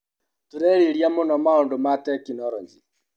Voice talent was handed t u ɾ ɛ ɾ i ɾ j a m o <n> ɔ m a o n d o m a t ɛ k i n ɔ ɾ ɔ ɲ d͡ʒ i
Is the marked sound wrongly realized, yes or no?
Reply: no